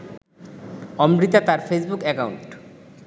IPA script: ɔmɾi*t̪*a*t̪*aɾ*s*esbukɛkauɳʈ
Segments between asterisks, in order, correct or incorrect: correct, correct, incorrect: f

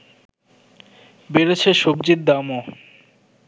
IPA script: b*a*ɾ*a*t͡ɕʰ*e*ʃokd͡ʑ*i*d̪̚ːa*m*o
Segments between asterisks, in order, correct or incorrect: incorrect: e, incorrect: e, correct, correct, correct

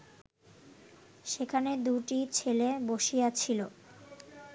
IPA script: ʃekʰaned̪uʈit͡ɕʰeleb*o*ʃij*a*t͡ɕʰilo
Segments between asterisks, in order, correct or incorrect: correct, correct

